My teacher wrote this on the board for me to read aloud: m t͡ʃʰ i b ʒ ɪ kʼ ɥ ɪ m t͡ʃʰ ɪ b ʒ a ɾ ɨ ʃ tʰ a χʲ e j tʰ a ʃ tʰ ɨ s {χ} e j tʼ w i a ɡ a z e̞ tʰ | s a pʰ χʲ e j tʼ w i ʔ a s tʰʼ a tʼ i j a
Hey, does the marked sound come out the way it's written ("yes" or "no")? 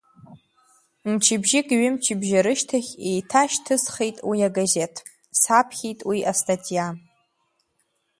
yes